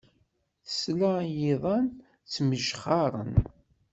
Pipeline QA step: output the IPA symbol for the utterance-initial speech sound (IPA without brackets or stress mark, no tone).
θ